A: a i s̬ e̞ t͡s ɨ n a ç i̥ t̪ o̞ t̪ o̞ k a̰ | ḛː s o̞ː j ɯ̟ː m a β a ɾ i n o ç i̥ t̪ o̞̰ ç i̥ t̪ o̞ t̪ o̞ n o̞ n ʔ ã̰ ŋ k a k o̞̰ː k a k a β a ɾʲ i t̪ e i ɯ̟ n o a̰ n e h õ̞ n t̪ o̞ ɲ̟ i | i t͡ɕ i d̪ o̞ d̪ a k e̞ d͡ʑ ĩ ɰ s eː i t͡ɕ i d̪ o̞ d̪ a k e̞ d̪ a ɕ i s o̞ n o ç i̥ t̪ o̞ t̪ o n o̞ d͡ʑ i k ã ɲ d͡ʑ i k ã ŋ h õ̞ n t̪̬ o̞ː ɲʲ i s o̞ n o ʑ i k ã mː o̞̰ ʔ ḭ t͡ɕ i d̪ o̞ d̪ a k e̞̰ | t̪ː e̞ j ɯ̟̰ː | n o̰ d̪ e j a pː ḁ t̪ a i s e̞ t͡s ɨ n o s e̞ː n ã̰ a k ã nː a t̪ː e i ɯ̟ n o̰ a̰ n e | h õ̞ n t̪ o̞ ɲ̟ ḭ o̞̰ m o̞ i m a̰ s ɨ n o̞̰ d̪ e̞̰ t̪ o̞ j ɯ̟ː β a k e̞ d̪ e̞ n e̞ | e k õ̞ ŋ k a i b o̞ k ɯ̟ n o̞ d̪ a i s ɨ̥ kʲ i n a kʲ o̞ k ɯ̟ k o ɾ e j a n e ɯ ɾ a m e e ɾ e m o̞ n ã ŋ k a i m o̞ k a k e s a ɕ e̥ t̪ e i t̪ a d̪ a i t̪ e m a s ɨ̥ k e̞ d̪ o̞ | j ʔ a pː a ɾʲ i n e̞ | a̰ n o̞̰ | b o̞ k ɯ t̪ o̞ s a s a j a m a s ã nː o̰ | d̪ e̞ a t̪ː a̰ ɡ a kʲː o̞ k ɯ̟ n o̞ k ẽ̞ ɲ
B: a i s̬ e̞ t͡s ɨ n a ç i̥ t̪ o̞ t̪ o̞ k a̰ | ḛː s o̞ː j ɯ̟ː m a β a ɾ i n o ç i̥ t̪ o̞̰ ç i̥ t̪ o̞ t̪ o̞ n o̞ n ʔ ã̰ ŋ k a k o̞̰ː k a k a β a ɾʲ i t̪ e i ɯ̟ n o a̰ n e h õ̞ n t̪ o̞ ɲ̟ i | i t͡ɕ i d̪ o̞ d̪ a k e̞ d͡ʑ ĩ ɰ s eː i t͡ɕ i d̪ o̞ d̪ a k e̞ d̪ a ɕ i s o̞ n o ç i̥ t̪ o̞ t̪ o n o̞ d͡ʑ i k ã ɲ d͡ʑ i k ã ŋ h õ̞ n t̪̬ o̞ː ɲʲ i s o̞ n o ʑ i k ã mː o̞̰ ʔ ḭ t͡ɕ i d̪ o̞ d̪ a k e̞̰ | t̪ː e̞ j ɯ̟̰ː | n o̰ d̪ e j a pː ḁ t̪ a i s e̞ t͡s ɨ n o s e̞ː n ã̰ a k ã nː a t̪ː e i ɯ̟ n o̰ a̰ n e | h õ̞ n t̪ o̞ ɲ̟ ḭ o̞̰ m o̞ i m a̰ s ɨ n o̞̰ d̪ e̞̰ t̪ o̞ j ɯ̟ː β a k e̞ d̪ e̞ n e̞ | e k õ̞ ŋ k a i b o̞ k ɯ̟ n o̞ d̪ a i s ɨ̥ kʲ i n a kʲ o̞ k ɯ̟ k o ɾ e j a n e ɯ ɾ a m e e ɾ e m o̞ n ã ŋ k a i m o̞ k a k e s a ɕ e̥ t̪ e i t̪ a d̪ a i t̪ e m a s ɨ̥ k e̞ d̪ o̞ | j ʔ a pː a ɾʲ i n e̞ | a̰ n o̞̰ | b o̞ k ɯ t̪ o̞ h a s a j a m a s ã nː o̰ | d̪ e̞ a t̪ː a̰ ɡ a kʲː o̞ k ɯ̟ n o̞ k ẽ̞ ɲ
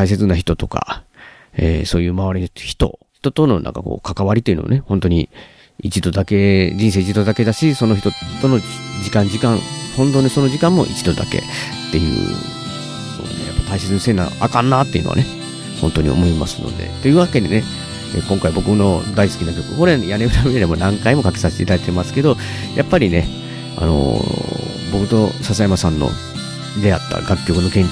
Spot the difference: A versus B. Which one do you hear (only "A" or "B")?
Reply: A